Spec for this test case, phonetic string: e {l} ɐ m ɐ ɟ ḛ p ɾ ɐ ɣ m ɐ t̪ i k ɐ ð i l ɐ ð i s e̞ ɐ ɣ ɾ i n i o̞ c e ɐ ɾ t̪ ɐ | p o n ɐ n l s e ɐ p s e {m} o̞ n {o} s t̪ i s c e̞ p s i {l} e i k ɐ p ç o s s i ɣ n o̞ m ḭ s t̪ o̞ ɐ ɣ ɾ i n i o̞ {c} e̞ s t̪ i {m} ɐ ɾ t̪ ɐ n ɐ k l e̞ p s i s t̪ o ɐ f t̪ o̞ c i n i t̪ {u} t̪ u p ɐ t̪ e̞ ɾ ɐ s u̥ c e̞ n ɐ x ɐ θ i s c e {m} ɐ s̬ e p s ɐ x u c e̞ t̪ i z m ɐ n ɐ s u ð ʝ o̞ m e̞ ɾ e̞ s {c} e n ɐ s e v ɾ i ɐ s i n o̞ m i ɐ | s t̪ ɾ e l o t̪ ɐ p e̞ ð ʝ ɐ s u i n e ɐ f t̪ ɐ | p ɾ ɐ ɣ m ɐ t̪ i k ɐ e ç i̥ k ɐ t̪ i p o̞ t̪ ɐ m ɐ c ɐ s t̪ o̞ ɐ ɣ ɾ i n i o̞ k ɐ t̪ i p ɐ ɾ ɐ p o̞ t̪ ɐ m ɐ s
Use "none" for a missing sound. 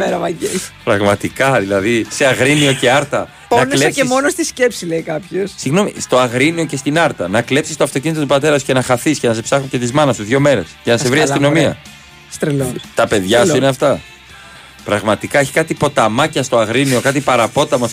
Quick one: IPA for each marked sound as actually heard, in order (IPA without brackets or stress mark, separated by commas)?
ɾ, m, o, l, c, n, o, n, c